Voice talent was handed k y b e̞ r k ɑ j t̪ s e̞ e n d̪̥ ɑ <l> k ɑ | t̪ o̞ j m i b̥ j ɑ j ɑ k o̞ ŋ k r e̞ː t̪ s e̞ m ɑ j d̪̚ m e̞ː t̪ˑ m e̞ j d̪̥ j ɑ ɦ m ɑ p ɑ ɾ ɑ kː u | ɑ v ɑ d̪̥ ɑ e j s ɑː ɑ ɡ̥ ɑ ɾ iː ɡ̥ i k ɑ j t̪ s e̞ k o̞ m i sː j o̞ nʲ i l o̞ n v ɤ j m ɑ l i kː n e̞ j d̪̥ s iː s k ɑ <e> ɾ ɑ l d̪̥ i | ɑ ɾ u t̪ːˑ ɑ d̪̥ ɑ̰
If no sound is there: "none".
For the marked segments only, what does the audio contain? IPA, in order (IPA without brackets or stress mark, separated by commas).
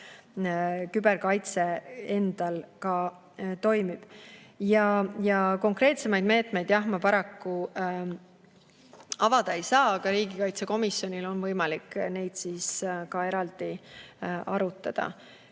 l, e